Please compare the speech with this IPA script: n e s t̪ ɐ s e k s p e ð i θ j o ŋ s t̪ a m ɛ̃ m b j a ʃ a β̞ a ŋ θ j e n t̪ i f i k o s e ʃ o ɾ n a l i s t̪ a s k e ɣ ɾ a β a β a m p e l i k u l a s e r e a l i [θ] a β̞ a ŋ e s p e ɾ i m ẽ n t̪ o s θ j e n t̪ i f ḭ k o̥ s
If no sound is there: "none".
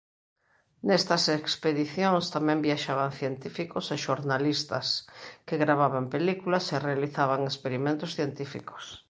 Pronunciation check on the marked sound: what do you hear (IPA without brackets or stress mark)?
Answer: θ